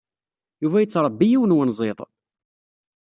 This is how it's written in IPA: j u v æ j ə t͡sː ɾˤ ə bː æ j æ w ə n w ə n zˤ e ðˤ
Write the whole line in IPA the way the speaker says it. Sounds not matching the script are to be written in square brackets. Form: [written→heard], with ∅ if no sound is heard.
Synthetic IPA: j u v æ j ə t͡sː ɾˤ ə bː [æ→i] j [æ→i] w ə n w ə n zˤ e ðˤ